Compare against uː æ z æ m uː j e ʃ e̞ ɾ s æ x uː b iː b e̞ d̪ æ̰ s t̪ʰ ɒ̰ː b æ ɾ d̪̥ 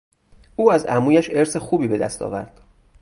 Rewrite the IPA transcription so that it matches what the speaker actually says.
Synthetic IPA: uː æ z æ m uː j æ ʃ e̞ ɾ s e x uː b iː b e̞ d̪ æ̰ s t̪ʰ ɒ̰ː v æ ɾ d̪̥